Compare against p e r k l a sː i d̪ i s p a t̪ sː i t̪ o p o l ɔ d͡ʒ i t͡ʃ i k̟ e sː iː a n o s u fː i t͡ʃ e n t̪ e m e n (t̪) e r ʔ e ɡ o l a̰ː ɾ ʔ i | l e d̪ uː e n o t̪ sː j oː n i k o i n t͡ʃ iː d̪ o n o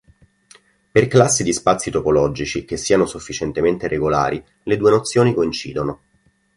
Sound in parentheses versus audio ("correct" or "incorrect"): correct